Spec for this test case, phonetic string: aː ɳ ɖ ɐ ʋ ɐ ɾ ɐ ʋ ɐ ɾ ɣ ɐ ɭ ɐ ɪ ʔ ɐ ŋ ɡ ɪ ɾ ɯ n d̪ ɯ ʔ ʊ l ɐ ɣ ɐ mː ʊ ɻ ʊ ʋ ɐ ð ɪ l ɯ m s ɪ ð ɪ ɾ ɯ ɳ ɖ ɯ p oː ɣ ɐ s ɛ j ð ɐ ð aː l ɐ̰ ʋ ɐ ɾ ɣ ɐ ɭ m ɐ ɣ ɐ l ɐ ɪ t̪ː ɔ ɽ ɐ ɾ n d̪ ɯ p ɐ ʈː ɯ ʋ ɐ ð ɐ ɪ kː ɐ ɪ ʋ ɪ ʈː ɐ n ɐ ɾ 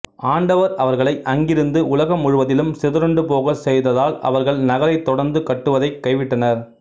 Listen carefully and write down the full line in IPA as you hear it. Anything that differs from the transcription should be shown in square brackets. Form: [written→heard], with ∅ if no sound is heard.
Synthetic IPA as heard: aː ɳ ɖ ɐ ʋ ɐ ɾ ɐ ʋ ɐ ɾ ɣ ɐ ɭ ɐ ɪ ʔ ɐ ŋ ɡ ɪ ɾ ɯ n d̪ ɯ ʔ ʊ l ɐ ɣ ɐ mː ʊ ɻ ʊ ʋ ɐ ð ɪ l ɯ m s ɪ ð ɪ ɾ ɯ ɳ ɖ ɯ p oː ɣ ɐ s ɛ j ð ɐ ð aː l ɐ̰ ʋ ɐ ɾ ɣ ɐ ɭ [m→n] ɐ ɣ ɐ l ɐ ɪ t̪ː ɔ ɽ ɐ ɾ n d̪ ɯ [p→k] ɐ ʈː ɯ ʋ ɐ ð ɐ ɪ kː ɐ ɪ ʋ ɪ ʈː ɐ n ɐ ɾ

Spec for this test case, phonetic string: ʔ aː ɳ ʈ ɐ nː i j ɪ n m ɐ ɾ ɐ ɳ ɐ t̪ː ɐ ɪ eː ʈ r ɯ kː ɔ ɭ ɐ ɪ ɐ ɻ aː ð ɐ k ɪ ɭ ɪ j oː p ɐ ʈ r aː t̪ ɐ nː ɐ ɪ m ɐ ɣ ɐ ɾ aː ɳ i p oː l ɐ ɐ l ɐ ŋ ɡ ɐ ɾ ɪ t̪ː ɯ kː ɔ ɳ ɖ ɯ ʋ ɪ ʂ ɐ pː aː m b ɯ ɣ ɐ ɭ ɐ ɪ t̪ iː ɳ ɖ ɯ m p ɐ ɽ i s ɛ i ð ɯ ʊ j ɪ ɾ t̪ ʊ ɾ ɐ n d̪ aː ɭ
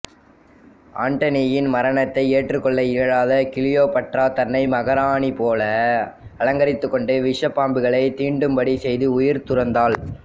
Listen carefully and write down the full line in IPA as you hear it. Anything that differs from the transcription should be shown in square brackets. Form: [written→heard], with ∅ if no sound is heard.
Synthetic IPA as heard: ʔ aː ɳ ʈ ɐ [nː→n] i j ɪ n m ɐ ɾ ɐ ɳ ɐ t̪ː ɐ ɪ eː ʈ r ɯ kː ɔ [ɭ→ɭː] ɐ ɪ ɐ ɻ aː ð ɐ k ɪ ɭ ɪ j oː p ɐ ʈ r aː t̪ ɐ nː ɐ ɪ m ɐ ɣ ɐ ɾ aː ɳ i p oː l ɐ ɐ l ɐ ŋ ɡ ɐ ɾ ɪ t̪ː ɯ kː ɔ ɳ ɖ ɯ ʋ ɪ ʂ ɐ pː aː m b ɯ ɣ ɐ ɭ ɐ ɪ t̪ iː ɳ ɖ ɯ m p ɐ ɽ i s ɛ [i→j] ð ɯ ʊ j ɪ ɾ t̪ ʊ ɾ ɐ n d̪ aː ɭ

